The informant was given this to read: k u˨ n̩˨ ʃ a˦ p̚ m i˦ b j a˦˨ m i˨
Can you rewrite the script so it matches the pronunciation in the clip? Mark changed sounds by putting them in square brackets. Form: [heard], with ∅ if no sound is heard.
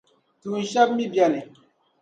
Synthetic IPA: [t] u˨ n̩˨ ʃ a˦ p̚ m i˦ b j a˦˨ [n] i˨